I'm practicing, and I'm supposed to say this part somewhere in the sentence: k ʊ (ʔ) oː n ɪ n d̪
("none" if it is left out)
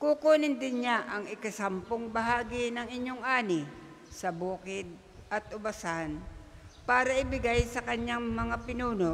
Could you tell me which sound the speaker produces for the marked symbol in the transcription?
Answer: k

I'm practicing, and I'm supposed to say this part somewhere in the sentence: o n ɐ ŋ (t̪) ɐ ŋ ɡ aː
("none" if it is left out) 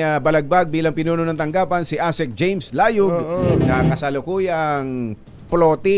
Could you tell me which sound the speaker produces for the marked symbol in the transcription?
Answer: t̪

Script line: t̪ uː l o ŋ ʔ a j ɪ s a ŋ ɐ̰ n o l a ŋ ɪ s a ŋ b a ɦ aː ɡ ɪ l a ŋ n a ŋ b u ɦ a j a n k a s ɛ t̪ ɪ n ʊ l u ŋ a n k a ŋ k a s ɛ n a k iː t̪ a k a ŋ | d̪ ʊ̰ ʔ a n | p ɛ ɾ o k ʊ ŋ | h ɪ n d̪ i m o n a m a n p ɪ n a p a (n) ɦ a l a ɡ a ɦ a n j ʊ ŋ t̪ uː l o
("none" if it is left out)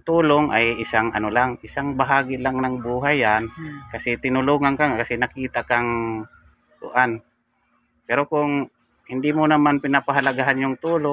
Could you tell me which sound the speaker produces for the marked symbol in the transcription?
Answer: none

